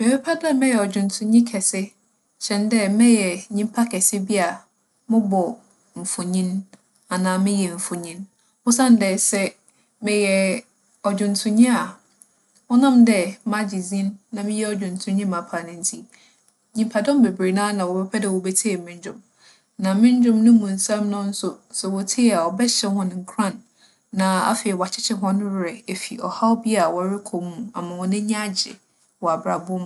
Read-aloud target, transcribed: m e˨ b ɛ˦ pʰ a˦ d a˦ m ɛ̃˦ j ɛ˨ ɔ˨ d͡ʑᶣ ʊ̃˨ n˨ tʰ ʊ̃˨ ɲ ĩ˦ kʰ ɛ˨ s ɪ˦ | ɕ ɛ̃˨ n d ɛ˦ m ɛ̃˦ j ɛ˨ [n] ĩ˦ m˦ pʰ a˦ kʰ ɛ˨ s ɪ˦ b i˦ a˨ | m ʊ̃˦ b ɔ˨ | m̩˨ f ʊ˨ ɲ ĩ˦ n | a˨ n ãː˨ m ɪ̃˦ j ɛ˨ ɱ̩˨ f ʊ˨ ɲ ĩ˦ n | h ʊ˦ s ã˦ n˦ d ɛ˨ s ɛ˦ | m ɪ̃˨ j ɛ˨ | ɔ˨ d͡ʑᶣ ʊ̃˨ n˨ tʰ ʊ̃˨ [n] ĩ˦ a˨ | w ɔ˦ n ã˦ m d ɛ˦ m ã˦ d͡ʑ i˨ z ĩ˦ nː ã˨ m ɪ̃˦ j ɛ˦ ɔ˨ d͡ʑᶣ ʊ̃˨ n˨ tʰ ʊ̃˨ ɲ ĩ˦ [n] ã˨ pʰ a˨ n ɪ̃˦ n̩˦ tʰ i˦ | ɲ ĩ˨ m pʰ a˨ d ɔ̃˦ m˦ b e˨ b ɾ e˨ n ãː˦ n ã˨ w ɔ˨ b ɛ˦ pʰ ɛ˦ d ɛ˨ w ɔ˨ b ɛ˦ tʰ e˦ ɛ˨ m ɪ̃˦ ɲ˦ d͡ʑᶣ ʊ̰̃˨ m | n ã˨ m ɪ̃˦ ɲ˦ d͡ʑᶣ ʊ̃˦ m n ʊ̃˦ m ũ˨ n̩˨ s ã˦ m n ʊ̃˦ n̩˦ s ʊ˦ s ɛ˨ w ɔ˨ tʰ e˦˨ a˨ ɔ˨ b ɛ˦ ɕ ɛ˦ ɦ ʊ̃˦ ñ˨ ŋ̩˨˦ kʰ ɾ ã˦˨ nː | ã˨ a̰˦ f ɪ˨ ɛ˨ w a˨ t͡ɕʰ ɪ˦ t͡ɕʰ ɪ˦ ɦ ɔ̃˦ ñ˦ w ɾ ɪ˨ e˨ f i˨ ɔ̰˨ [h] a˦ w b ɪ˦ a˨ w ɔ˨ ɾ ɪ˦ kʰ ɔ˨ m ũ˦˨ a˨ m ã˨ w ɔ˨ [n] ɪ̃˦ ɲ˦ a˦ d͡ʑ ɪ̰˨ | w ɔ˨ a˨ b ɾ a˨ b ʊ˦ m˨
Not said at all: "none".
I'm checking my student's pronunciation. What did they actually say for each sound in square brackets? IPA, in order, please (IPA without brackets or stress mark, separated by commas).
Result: ɲ, ɲ, m, h, n